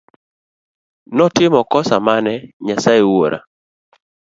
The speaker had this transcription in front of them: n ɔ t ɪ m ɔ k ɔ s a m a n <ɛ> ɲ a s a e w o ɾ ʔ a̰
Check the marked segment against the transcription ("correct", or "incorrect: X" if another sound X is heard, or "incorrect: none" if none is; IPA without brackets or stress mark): correct